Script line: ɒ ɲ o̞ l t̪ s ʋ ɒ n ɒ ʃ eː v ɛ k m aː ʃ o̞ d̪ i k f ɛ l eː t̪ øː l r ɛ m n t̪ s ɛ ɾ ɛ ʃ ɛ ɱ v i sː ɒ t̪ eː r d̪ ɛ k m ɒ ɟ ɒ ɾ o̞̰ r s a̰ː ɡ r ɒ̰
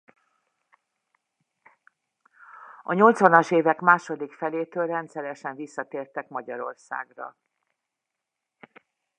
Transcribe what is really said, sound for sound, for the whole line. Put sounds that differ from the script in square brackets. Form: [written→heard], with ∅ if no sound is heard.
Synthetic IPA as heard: ɒ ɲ o̞ l t̪ s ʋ ɒ n ɒ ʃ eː v ɛ k m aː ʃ o̞ d̪ i k f ɛ l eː t̪ øː l r ɛ [m→∅] n t̪ s ɛ ɾ ɛ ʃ ɛ ɱ v i sː ɒ t̪ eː r [d̪→t̪] ɛ k m ɒ ɟ ɒ ɾ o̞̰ r s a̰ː ɡ r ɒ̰